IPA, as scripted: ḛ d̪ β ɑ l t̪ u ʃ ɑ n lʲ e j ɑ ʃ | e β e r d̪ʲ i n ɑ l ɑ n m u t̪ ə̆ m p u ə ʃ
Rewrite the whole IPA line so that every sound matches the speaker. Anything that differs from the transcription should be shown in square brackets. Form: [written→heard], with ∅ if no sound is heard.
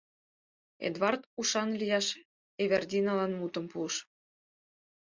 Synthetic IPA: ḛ d̪ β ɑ [l→r] t̪ u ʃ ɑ n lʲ [e→i] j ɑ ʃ | e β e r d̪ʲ i n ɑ l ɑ n m u t̪ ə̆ m p u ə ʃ